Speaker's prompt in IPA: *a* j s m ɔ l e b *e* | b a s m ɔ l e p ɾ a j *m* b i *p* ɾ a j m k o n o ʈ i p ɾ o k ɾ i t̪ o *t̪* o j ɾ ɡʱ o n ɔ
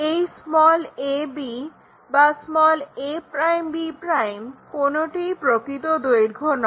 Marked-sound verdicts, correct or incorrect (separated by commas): incorrect, incorrect, correct, correct, incorrect